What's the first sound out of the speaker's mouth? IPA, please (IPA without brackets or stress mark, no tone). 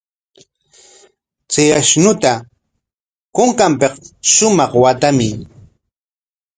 t͡s